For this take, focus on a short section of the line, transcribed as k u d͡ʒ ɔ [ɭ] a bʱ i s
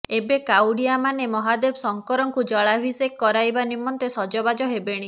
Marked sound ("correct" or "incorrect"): correct